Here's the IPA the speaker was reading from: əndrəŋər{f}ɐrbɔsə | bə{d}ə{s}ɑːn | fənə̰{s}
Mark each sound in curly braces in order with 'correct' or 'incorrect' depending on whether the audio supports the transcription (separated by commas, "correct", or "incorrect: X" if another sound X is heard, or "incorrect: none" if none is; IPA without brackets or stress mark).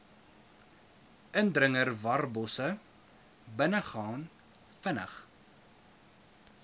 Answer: incorrect: v, incorrect: n, incorrect: χ, incorrect: χ